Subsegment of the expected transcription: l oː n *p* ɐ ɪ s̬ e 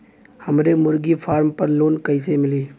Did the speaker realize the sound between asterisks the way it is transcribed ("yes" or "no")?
no